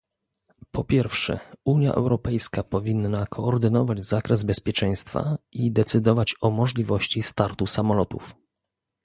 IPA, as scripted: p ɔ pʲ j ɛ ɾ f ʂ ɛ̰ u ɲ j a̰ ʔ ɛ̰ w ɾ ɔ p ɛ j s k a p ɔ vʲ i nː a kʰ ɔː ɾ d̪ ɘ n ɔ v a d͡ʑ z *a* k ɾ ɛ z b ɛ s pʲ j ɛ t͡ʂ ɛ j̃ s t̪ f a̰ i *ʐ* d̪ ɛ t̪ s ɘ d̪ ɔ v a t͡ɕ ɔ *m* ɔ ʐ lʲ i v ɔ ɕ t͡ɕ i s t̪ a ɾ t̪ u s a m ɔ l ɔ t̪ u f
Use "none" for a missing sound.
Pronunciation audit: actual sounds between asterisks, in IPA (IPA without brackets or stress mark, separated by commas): a, none, m